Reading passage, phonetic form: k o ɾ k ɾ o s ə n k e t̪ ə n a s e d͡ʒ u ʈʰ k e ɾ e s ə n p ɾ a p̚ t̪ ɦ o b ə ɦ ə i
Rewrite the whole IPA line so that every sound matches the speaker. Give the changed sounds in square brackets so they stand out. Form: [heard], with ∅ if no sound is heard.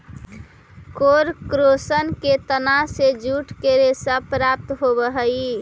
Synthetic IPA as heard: k o ɾ k ɾ o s ə n k e t̪ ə n a s e d͡ʒ u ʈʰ k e ɾ e s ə [∅] p ɾ a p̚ t̪ ɦ o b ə ɦ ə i